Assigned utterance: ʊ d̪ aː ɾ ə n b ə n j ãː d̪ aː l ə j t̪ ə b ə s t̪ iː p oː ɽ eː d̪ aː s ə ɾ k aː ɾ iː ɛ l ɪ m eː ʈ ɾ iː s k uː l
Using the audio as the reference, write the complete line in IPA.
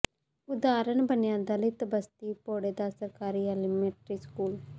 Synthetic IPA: ʊ d̪ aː ɾ ə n b ə n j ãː d̪ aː l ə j t̪ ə b ə s t̪ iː p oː ɽ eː d̪ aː s ə ɾ k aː ɾ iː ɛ l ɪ m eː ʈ ɾ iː s k uː l